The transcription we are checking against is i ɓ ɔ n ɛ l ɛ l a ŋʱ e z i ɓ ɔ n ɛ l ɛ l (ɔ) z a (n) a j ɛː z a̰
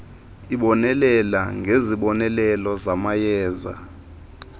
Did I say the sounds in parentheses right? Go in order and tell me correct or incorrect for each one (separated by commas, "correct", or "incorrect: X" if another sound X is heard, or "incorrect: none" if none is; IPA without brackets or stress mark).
correct, incorrect: m